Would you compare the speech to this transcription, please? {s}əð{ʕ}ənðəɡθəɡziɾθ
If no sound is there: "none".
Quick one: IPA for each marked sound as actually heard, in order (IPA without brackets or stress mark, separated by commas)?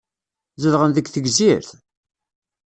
z, ʁ